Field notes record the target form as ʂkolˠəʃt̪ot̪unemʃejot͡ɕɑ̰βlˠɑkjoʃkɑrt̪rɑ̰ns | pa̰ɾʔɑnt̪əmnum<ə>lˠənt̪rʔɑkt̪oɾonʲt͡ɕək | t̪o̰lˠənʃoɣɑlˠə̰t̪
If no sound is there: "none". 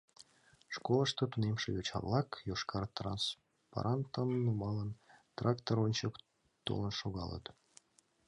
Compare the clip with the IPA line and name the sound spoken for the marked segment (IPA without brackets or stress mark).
ɑ